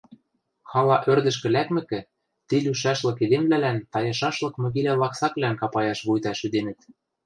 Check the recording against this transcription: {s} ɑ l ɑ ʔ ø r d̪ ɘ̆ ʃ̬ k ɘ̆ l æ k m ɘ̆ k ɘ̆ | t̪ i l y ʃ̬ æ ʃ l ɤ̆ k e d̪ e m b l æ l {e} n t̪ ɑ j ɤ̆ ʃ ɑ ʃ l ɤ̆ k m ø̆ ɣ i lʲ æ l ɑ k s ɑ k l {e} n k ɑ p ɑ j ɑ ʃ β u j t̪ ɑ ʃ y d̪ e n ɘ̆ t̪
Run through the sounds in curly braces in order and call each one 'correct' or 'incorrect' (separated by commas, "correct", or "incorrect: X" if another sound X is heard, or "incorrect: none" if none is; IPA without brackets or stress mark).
incorrect: x, incorrect: æ, incorrect: æ